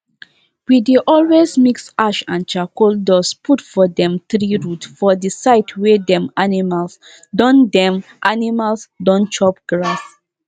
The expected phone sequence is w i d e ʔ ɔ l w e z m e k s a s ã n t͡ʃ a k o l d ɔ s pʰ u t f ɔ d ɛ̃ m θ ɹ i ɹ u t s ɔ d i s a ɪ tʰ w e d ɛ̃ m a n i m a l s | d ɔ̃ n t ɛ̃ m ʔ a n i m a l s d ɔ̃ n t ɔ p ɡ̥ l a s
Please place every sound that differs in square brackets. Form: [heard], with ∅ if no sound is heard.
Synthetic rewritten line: w i d e ʔ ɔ l w e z m [i] k s a [ʃ] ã n t͡ʃ a k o l d ɔ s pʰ u t f ɔ d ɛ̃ m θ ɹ i ɹ u t [f] ɔ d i s a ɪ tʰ w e d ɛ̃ m a n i m a l s | d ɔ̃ n [d] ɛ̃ m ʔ a n i m a l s d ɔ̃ n [t͡ʃ] ɔ p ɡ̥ [ɹ] a s

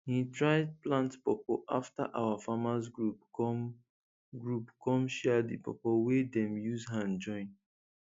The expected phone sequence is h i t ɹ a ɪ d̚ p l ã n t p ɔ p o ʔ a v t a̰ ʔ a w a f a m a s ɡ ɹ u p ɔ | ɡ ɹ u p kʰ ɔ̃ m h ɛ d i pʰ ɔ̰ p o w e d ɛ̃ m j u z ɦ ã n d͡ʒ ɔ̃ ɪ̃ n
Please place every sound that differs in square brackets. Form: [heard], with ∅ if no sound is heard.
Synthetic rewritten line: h i t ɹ a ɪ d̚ p l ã n t p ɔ p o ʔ a [f] t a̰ ʔ a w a f a m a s ɡ ɹ u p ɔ | ɡ ɹ u p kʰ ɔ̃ m [ʃ] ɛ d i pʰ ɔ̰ p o w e d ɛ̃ m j u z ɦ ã n d͡ʒ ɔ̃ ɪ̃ n

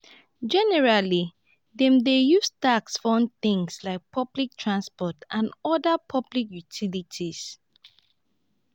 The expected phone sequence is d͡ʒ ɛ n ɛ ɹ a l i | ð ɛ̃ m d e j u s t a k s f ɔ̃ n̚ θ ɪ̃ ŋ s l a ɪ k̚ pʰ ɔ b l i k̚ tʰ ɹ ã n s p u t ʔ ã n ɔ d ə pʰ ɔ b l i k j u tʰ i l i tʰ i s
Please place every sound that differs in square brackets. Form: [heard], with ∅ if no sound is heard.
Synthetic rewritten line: d͡ʒ ɛ n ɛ ɹ a l i | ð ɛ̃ m d e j u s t a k s f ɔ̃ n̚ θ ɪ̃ ŋ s l a ɪ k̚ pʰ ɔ b l i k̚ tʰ ɹ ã n s p [ɔ] t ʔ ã n ɔ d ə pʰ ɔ b l i k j u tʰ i l i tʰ i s

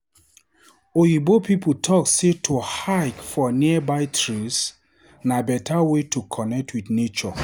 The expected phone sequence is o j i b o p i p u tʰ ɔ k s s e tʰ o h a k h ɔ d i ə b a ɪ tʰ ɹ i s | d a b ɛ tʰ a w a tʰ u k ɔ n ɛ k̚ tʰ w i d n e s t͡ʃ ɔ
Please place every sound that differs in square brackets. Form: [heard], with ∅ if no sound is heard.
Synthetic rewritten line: o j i b o p i p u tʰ ɔ k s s e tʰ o h a k [f] ɔ [n] i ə b a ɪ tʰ ɹ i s | [n] a b ɛ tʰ a w [e] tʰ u [kʰ] ɔ n ɛ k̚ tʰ w i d n e [∅] t͡ʃ ɔ

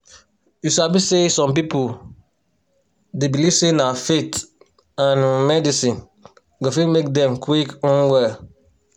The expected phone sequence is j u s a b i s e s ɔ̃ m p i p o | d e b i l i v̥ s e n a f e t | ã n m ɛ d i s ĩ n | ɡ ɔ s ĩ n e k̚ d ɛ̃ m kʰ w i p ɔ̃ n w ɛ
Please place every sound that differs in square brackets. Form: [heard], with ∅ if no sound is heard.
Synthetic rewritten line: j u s a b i s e s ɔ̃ m p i p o | d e b i l i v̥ s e n a f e t | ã n m ɛ d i s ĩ n | ɡ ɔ [f] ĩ [m] e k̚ d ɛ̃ m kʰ w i [k] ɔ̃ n w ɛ

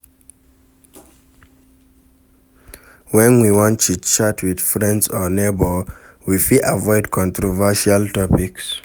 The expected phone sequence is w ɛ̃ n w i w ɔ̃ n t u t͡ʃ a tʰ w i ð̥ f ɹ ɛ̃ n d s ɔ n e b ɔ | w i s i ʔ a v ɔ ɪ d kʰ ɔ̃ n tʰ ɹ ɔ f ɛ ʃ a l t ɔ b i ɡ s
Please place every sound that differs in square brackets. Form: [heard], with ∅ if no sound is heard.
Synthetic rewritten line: w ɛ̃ n w i w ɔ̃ n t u t͡ʃ a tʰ w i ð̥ f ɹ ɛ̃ n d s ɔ n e b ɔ | w i [f] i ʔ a v ɔ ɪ d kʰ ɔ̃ n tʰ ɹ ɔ [v] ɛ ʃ a l t ɔ [p] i [k] s

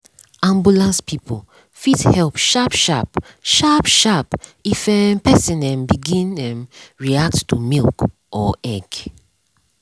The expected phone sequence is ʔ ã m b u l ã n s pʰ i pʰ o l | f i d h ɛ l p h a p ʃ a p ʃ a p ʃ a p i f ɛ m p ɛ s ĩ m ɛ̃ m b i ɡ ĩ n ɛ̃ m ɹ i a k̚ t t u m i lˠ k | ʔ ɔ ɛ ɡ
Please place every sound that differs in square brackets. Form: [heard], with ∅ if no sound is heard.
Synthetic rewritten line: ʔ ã m b u l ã n s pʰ i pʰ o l | f i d h ɛ l p [ʃ] a p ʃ a p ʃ a p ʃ a p i f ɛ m p ɛ s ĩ [n] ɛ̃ m b i ɡ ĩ n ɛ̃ m ɹ i a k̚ t t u m i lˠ k | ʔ ɔ ɛ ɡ

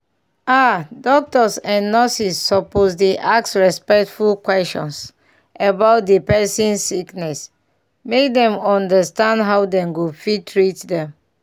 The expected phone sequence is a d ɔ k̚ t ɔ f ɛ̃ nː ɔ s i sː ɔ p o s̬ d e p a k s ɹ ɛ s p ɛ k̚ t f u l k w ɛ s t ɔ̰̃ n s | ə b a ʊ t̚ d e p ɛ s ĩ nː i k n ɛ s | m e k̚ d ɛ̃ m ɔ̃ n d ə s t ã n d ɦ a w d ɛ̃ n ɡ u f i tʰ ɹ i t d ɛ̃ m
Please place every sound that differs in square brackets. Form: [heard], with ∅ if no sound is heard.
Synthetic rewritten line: a d ɔ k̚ t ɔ [s] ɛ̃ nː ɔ s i sː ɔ p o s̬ d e [ʔ] a k s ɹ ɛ s p ɛ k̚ t f u l k w ɛ s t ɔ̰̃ n s | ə b a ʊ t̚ d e p ɛ s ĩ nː i k n ɛ s | m e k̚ d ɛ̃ m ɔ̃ n d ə s t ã n d ɦ a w d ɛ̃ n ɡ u f i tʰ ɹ i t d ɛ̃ m

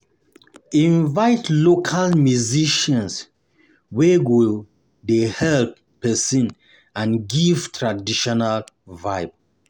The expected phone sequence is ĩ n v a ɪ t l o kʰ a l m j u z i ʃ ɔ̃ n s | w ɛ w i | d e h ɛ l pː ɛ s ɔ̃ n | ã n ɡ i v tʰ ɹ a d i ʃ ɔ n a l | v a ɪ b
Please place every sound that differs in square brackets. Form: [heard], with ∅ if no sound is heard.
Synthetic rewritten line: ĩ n v a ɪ t l o kʰ a l m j u z i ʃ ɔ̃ n s | w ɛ w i | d e h ɛ l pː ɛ s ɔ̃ n | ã n ɡ i v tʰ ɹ a d i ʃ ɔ n a l | v a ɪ b

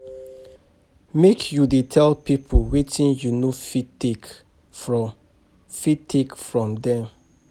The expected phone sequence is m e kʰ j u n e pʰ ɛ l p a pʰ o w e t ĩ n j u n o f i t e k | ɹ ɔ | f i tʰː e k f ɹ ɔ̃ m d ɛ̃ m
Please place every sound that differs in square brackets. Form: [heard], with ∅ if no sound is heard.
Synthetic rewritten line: m e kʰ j u [d] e [tʰ] ɛ l p [i] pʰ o w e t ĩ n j u n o f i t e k | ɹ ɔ | f i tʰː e k f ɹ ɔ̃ m d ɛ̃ m

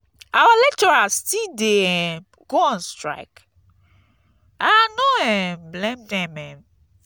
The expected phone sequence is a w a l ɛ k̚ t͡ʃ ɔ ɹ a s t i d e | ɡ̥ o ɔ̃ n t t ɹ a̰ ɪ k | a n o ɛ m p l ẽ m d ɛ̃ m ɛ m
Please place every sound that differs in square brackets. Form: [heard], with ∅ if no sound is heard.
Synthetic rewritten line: a w a l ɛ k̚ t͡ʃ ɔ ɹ a s t i d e | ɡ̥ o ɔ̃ n [s] t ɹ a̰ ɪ k | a n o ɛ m [b] l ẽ m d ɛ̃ m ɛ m

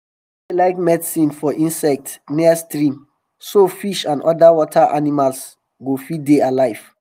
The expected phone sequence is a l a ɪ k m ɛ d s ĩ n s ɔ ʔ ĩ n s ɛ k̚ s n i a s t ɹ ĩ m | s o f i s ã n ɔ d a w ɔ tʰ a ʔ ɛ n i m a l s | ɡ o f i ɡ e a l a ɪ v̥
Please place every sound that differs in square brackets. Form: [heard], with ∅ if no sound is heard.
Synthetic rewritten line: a l a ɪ k m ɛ d s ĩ n [f] ɔ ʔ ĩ n s ɛ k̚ [t] n i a s t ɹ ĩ m | s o f i [ʃ] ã n ɔ d a w ɔ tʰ a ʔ [a] n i m a l s | ɡ o f i [d] e a l a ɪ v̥

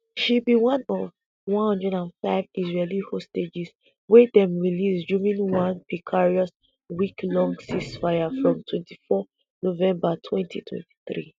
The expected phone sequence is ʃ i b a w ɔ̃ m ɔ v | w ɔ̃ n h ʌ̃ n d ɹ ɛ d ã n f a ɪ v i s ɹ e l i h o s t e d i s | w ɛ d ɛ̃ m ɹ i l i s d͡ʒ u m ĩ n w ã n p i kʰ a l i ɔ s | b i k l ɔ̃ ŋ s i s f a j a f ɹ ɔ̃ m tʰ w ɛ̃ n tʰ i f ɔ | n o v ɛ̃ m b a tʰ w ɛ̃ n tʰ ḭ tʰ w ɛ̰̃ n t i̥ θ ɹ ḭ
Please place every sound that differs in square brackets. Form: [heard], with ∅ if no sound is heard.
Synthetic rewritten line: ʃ i b [i] w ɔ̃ [n] ɔ v | w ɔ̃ n h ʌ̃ n d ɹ ɛ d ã n f a ɪ v i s ɹ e l i h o s t e [d͡ʒ] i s | w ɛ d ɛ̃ m ɹ i l i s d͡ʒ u m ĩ n w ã n p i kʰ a [ɹ] i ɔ s | [w] i k l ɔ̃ ŋ s i s f a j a f ɹ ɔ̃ m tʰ w ɛ̃ n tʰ i f ɔ | n o v ɛ̃ m b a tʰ w ɛ̃ n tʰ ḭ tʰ w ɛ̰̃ n t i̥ θ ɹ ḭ

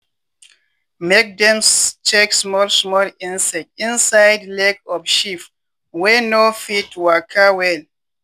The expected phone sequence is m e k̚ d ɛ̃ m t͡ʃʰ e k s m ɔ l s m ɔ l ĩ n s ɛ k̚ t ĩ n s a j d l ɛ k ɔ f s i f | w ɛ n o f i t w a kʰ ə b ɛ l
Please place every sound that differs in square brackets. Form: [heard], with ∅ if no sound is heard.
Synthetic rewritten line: m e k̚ d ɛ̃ m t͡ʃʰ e k s m ɔ l s m ɔ l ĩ n s ɛ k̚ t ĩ n s a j d l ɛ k ɔ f [ʃ] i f | w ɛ n o f i t w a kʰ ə [w] ɛ l

